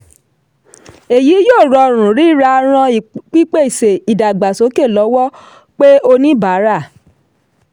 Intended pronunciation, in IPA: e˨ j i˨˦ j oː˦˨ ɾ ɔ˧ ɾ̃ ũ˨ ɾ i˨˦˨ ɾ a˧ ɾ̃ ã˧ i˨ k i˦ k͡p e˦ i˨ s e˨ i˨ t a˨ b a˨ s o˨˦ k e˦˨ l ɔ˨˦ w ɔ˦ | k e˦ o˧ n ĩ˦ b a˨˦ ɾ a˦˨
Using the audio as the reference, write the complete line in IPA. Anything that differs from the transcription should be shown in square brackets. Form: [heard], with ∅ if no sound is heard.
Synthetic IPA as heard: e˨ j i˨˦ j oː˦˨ ɾ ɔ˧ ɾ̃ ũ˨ ɾ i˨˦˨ ɾ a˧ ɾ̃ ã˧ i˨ [k͡p] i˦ k͡p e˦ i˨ s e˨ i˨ [d] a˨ [ɡ͡b] a˨ s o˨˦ k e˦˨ l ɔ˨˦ w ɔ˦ | [k͡p] e˦ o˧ n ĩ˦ b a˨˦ ɾ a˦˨